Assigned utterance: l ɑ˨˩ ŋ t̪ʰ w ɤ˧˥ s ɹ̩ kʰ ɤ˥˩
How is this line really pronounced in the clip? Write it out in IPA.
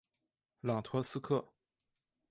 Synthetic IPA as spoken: l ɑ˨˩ ŋ t̪ʰ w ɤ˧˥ s ɹ̩ kʰ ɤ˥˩